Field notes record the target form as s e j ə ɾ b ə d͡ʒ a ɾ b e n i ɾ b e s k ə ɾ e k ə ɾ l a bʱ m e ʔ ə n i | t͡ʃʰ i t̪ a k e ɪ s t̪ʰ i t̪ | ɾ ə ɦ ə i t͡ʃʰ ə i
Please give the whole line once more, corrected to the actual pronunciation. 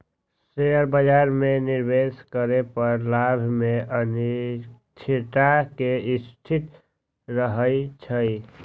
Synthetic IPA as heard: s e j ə ɾ b ə d͡ʒ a ɾ m e n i ɾ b e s k ə ɾ e p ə ɾ l a bʱ m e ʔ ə n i | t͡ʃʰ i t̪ a k e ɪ s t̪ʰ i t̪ | ɾ ə ɦ ə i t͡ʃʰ ə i